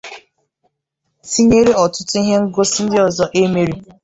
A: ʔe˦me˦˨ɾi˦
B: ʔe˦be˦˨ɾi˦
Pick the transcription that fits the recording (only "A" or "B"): A